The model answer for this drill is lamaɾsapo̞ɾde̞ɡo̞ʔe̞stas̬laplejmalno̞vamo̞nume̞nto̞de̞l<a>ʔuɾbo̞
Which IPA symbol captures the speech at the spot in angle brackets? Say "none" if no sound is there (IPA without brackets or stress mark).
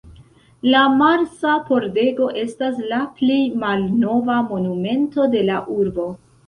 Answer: a